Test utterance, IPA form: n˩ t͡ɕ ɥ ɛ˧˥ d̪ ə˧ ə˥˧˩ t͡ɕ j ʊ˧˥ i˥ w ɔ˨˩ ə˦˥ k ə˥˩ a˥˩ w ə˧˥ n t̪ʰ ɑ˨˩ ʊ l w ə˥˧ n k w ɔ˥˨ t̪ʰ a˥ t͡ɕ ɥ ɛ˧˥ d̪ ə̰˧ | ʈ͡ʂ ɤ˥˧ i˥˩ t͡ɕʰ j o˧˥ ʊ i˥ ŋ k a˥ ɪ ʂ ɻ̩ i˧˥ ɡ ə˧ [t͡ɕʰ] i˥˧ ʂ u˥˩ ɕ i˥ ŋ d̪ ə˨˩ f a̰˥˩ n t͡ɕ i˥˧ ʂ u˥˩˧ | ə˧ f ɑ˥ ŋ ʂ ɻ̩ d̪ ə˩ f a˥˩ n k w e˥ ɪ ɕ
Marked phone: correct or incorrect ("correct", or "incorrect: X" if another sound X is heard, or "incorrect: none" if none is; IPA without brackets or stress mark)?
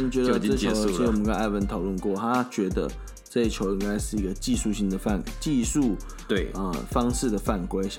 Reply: incorrect: t͡ɕ